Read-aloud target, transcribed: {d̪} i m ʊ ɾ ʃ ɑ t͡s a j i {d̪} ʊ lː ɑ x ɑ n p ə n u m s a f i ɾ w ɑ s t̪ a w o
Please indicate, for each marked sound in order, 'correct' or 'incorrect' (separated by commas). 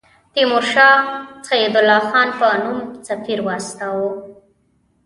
incorrect, correct